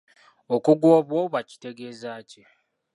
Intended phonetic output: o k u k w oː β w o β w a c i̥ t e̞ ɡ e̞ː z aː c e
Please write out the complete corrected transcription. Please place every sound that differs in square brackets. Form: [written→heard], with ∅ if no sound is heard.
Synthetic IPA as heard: o k u [k→ɡ] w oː β w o β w a c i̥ t e̞ ɡ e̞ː z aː c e